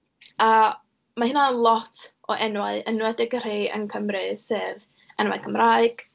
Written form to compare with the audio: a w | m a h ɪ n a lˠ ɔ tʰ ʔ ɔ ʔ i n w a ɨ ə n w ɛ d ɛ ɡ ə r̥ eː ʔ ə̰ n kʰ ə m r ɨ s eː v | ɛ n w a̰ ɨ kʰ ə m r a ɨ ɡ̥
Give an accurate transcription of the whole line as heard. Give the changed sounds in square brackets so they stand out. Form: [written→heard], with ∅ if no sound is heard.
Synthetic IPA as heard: a [w→∅] | m a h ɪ n a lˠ ɔ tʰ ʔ ɔ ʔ [i→ɛ] n w a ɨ ə n w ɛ d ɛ ɡ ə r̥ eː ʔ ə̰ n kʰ ə m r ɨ s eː v | ɛ n w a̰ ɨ kʰ ə m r a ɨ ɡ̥

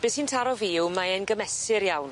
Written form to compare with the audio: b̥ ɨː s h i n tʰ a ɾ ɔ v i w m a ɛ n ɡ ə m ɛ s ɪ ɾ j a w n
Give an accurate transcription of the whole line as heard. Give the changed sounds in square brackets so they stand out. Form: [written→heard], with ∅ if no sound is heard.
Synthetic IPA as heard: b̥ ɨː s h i n tʰ a ɾ ɔ v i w m a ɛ n ɡ ə m ɛ s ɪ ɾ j a w n

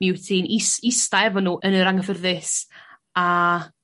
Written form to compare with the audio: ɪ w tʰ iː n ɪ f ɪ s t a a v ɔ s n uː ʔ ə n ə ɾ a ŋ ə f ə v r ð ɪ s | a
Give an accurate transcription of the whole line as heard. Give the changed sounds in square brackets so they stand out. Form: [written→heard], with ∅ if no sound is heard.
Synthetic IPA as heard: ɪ w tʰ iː n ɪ [f→s] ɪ s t a [a→ɛ] v ɔ [s→∅] n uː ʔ ə n ə ɾ a ŋ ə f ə [v→∅] r ð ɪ s | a

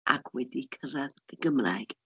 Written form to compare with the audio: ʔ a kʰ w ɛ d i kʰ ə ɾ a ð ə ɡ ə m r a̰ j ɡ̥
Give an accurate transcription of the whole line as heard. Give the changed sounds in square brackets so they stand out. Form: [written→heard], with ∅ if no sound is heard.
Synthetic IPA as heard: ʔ a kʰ w ɛ d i kʰ ə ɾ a ð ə ɡ ə m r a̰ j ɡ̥

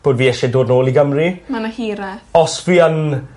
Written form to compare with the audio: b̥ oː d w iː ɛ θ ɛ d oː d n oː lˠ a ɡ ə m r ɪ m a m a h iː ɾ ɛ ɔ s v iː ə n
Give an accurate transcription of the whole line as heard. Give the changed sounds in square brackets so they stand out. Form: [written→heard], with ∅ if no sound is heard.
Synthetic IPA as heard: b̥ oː d [w→v] iː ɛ [θ→ʃ] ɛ d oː d n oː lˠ [a→i] ɡ ə m r [ɪ→i] m a [m→n] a h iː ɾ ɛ ɔ s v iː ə n

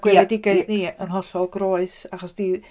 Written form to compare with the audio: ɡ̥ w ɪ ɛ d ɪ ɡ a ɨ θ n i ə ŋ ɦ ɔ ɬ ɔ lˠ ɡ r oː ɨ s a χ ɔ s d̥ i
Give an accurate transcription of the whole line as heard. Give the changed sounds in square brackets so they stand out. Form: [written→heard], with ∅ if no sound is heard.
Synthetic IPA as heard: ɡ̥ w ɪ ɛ d ɪ ɡ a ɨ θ n i ə [ŋ→n] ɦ ɔ ɬ ɔ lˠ ɡ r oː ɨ s a χ ɔ s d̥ i

